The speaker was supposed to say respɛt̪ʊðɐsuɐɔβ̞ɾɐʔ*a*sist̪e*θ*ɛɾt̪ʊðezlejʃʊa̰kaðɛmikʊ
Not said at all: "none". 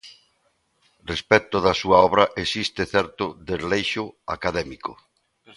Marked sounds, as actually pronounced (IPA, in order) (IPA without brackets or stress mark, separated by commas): e, θ